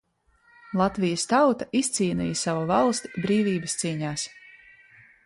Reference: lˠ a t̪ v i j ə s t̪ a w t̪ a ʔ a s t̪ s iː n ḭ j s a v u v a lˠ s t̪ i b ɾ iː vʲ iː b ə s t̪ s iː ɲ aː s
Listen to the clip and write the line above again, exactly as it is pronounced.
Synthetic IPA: lˠ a t̪ v i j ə s t̪ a w t̪ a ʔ i s t̪ s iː n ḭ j s a v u v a lˠ s t̪ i b ɾ iː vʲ iː b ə s t̪ s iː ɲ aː s